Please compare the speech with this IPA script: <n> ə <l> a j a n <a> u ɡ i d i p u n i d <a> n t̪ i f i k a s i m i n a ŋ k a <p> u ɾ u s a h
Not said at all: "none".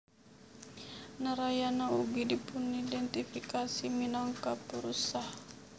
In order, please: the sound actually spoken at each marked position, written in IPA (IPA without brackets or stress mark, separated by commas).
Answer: n, ɾ, a, ɛ, p